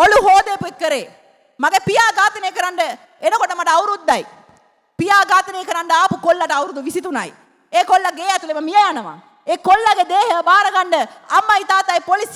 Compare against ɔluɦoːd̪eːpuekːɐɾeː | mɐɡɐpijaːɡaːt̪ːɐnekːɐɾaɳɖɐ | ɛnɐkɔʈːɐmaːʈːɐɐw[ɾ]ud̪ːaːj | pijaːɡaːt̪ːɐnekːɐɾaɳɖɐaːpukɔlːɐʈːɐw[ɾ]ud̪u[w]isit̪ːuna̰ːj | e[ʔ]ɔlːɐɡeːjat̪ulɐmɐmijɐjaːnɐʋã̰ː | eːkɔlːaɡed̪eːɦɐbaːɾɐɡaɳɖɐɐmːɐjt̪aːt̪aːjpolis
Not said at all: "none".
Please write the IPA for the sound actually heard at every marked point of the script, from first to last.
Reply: ɾ, ɾ, ʋ, k

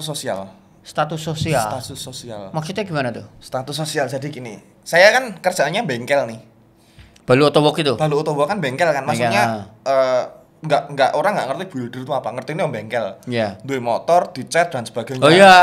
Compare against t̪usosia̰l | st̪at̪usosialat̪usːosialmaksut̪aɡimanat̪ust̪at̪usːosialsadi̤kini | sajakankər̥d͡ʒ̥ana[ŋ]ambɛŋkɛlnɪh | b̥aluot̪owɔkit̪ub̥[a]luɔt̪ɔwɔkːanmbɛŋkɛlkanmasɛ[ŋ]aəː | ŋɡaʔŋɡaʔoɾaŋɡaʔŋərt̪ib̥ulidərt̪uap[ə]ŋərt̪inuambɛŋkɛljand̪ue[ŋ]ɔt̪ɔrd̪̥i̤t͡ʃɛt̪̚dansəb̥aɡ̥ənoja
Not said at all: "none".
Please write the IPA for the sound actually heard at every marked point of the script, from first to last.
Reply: ɲ, a, ɲ, a, m

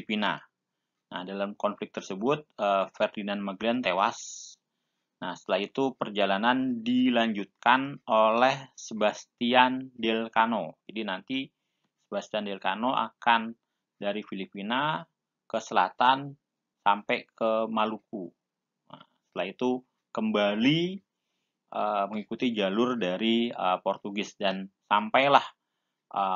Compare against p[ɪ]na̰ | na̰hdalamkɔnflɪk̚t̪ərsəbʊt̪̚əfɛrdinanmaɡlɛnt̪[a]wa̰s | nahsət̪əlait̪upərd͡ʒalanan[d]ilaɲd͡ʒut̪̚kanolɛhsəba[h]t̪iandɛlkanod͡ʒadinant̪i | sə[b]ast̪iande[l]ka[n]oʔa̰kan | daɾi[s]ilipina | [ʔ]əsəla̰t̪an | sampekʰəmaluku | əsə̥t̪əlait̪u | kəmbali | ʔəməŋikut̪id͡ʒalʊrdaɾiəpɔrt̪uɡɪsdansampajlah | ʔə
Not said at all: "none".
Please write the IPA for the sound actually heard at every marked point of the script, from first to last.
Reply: i, e, d, s, b, l, n, f, k

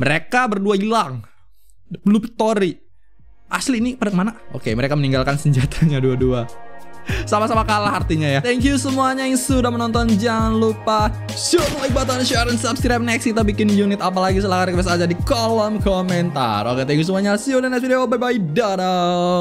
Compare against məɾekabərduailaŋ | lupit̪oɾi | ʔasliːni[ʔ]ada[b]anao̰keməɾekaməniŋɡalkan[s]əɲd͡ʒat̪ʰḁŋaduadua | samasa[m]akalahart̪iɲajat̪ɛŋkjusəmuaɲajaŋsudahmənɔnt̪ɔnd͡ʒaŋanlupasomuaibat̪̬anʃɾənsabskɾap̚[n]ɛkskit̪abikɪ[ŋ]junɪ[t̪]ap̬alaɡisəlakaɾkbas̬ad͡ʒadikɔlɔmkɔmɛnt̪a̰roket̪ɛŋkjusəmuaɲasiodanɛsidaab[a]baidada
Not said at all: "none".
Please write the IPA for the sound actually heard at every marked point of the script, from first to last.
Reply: p, m, s, m, n, n, t̪, a

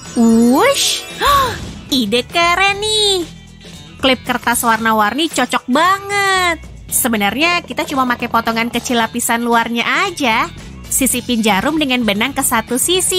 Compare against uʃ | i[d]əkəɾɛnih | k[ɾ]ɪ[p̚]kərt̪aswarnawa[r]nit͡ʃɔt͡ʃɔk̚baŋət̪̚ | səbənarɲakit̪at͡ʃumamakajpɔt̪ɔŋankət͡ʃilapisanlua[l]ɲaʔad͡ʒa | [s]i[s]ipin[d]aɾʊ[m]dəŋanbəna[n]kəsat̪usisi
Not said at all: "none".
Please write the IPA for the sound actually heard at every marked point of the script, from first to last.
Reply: d, l, p̚, r, r, s, s, d͡ʒ, m, ŋ

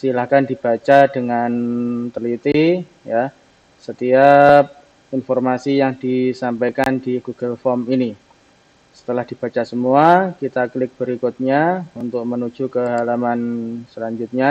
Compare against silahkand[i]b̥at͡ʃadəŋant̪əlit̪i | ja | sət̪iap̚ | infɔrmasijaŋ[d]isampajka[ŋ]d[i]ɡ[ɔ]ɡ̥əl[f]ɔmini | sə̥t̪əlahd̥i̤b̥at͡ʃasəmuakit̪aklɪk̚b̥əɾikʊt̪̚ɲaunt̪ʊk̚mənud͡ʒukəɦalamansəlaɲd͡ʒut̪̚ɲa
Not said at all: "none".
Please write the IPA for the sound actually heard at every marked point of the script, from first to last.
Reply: i, d, n, i, u, f

